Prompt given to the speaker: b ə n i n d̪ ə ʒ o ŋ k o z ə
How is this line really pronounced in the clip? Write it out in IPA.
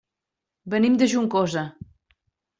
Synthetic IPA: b ə n i m d̪ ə ʒ u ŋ k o z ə

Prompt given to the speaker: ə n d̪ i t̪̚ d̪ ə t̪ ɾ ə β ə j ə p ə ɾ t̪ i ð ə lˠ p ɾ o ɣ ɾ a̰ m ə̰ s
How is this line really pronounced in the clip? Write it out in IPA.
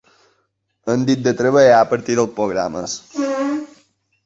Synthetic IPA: ə n d̪ i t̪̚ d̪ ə t̪ ɾ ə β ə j a p ə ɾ t̪ i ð ə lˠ p ɾ o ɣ ɾ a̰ m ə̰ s

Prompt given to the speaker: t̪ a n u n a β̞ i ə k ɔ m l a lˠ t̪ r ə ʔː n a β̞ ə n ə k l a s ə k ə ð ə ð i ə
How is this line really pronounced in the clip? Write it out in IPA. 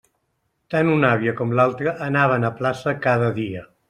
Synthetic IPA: t̪ a n u n a β̞ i ə k ɔ m l a lˠ t̪ ɾ ə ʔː n a β̞ ə n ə p l a s ə k a ð ə ð i ə

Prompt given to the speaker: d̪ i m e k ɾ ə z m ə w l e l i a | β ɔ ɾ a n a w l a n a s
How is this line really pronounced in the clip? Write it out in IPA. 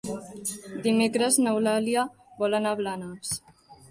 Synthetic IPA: d̪ i m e k ɾ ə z n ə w l a l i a | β ɔ l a n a β l a n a s

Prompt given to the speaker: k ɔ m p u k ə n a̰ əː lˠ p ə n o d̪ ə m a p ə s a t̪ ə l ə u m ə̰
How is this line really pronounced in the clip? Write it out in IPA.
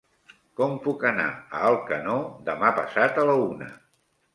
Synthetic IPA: k ɔ m p u k ə n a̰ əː lˠ k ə n o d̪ ə m a p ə s a t̪ ə l ə u n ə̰

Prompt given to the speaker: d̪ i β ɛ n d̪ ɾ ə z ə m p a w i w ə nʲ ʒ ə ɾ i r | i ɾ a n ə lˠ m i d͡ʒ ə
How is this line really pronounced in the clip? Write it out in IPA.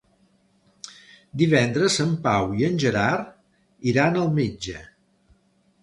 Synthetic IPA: d̪ i β ɛ n d̪ ɾ ə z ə m p a w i ə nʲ ʒ ə ɾ a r | i ɾ a n ə lˠ m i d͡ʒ ə

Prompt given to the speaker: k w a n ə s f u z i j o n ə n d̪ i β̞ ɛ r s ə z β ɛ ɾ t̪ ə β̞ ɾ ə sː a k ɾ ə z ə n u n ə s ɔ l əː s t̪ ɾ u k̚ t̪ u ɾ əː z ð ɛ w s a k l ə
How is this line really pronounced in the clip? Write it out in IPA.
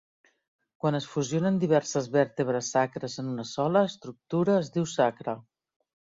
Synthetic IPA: k w a n ə s f u z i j o n ə n d̪ i β̞ ɛ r s ə z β ɛ ɾ t̪ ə β̞ ɾ ə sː a k ɾ ə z ə n u n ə s ɔ l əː s t̪ ɾ u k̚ t̪ u ɾ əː z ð i w s a k ɾ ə

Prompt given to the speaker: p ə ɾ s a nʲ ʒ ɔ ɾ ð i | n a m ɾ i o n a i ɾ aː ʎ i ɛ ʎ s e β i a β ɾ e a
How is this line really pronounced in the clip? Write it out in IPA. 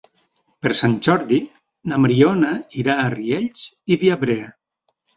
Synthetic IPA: p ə ɾ s a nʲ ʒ ɔ ɾ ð i | n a m ɾ i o n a i ɾ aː r i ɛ ʎ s i β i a β ɾ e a

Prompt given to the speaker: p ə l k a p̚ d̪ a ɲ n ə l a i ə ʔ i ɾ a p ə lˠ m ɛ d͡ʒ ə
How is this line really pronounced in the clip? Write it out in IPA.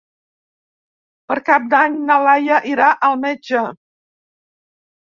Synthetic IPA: p ə ɾ k a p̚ d̪ a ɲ n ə l a j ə ʔ i ɾ a ʔ ə lˠ m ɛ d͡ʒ ə

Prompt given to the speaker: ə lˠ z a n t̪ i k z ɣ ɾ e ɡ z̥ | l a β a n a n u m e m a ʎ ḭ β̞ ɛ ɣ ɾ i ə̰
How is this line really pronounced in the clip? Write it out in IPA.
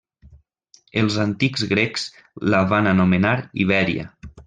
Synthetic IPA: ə lˠ z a n t̪ i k z ɣ ɾ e k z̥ | l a β a n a n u m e n a ɾ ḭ β̞ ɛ ɾ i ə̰

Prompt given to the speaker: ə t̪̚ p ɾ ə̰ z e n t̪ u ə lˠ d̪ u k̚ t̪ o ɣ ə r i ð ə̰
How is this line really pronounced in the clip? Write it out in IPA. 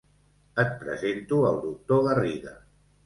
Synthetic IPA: ə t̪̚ p ɾ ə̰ z e n t̪ u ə lˠ d̪ u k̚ t̪ o ɣ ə r i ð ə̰

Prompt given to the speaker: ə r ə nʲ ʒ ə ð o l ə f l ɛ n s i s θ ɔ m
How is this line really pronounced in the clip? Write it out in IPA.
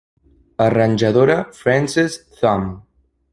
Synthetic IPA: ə r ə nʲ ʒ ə ð o ɾ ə f ɾ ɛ n s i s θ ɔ m

